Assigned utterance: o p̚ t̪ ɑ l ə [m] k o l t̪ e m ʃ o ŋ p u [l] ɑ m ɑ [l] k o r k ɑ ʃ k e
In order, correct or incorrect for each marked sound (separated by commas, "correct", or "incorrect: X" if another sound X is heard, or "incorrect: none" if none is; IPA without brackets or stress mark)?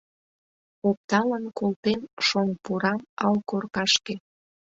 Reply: incorrect: n, incorrect: ɾ, correct